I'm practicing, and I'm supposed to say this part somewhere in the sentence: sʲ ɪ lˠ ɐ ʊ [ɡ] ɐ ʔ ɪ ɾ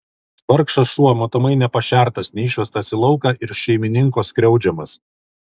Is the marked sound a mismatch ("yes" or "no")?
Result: yes